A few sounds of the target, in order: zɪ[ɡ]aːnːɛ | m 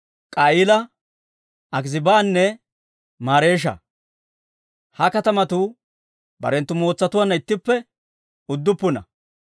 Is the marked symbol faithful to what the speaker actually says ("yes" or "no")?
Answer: no